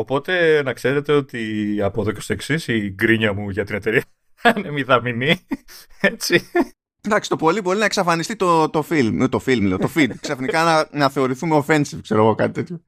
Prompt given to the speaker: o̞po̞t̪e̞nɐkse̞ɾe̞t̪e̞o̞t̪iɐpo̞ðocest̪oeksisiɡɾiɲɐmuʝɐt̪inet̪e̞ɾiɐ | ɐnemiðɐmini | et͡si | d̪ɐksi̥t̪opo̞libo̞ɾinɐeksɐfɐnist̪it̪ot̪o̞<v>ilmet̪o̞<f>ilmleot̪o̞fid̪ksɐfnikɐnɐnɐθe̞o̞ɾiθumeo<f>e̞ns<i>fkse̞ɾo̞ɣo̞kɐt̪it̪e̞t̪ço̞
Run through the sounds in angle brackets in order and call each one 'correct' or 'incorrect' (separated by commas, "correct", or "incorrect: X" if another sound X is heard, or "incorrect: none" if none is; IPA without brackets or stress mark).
incorrect: f, correct, correct, correct